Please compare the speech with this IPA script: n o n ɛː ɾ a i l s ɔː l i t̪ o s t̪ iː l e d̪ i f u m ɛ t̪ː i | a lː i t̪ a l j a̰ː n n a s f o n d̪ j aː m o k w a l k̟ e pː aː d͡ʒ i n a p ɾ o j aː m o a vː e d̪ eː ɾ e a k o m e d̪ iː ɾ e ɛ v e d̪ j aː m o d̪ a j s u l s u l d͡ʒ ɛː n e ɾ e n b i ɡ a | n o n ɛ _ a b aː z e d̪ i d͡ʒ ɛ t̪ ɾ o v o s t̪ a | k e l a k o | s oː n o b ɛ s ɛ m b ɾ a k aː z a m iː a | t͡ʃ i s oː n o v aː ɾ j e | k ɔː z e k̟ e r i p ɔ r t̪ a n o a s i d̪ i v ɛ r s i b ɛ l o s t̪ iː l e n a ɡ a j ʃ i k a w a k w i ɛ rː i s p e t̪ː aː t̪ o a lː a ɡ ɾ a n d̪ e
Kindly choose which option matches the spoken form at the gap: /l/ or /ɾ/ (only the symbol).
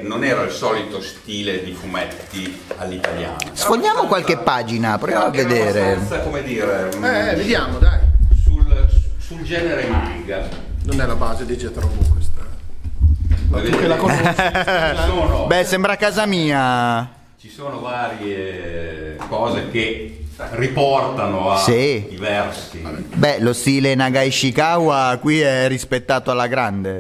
l